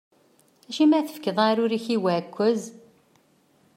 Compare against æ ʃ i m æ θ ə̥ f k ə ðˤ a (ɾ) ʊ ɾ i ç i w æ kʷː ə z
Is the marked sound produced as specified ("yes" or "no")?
yes